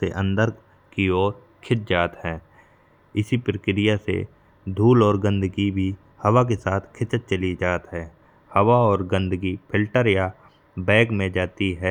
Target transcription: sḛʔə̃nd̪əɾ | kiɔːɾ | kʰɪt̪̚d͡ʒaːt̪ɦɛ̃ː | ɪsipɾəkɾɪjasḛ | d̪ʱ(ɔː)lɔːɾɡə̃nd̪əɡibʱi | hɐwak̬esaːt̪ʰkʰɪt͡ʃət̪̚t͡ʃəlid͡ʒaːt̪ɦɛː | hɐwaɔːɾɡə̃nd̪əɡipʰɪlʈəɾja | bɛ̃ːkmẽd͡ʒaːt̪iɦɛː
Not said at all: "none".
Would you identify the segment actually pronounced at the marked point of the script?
uː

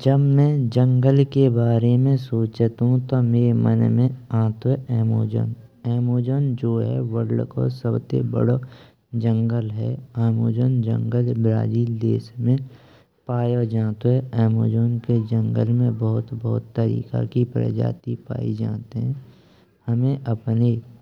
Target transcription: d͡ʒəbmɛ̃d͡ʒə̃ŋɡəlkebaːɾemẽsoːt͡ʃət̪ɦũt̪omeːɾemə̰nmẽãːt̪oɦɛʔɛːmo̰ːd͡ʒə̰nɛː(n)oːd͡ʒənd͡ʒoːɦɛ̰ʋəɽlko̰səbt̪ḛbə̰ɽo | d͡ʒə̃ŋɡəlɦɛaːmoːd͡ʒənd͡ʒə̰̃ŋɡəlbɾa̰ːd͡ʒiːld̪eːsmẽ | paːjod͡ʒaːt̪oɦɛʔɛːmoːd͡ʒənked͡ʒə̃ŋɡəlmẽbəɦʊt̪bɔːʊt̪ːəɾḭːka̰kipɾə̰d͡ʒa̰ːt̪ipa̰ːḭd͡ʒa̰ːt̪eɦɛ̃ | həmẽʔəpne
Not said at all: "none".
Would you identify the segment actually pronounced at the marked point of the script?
m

